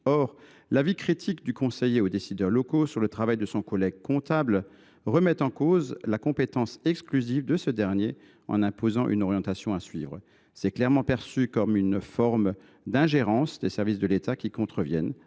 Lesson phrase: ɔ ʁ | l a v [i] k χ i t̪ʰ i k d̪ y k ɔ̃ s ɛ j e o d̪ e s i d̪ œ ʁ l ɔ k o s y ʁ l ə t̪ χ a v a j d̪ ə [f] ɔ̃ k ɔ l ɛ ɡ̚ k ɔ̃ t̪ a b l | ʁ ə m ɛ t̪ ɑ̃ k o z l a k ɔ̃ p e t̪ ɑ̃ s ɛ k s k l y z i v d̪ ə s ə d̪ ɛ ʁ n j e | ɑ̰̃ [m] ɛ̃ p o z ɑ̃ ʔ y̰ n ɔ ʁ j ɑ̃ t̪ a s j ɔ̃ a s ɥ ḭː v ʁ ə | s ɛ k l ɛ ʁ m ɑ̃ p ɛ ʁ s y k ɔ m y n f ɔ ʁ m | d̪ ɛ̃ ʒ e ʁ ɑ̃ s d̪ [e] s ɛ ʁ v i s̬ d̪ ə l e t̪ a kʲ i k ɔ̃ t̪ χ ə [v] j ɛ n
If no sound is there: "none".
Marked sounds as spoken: i, s, n, e, v

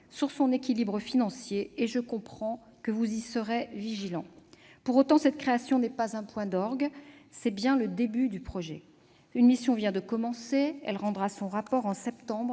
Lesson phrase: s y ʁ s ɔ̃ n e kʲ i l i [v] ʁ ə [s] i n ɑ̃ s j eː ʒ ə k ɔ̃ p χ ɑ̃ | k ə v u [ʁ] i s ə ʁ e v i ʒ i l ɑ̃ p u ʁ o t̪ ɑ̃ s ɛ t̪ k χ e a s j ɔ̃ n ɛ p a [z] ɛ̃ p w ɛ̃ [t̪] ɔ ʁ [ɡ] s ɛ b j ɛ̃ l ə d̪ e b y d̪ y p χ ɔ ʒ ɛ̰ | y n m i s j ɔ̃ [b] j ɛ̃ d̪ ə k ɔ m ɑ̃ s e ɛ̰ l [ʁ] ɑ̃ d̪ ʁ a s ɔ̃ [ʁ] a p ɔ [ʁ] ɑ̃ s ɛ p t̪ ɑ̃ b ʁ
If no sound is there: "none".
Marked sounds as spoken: b, f, z, z, d̪, ɡ, v, ʁ, ʁ, ʁ

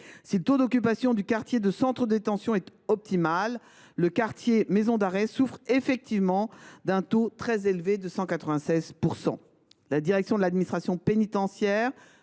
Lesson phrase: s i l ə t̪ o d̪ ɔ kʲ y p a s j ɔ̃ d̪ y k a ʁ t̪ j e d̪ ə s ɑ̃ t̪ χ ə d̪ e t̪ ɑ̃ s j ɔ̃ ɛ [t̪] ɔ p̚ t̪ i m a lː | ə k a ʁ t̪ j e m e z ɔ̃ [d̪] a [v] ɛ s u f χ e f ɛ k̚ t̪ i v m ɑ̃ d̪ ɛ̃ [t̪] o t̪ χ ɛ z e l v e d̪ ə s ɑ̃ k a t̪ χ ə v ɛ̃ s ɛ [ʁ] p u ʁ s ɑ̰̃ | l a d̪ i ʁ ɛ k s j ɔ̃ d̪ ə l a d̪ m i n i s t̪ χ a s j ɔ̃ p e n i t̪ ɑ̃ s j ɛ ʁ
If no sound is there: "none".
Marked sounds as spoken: t̪, d̪, ʁ, t̪, z

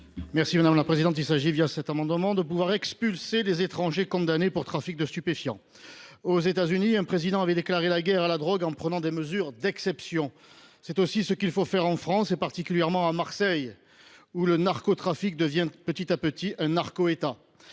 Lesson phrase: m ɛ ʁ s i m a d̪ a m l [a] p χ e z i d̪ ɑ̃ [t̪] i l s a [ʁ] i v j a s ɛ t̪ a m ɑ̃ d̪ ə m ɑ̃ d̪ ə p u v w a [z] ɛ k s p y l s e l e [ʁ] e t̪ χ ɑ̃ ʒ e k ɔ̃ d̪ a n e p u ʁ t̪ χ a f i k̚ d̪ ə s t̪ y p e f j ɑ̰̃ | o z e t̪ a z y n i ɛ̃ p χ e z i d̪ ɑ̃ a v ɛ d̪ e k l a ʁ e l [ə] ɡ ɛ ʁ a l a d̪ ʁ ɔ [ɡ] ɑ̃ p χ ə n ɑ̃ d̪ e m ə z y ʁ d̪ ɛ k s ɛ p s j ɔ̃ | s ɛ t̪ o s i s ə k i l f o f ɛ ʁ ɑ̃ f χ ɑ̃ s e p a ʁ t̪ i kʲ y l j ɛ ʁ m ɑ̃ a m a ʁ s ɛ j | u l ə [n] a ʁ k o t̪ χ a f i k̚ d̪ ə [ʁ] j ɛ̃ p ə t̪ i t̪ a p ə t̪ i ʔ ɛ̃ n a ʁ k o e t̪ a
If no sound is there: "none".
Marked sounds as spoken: a, t̪, ʒ, ʁ, z, a, ɡ, n, v

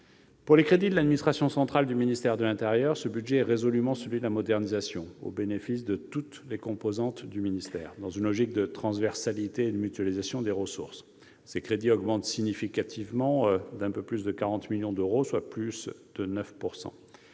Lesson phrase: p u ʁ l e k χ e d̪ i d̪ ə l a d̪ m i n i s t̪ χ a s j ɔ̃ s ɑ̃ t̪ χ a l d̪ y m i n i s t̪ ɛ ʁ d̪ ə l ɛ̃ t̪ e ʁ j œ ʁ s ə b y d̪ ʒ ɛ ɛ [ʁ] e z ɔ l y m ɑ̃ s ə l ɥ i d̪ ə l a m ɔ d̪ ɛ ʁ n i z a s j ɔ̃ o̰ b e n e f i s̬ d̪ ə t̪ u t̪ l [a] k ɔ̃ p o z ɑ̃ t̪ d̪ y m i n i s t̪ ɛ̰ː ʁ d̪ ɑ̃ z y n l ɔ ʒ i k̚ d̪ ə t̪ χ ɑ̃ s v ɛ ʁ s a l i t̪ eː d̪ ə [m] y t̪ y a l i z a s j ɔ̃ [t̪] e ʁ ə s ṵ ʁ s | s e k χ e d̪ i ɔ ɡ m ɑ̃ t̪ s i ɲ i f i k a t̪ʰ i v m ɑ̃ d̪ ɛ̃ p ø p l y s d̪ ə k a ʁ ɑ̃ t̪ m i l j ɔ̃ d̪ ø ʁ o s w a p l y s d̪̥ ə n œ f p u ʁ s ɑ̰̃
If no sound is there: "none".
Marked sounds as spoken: ʁ, e, m, d̪

